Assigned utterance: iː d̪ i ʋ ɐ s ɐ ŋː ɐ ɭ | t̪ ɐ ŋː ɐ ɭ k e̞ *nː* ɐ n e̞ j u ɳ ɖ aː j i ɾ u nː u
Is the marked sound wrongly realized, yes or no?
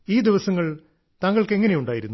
yes